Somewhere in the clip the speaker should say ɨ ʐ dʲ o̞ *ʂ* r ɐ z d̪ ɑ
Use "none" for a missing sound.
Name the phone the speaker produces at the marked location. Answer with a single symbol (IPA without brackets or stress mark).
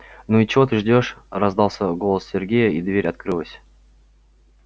ʂ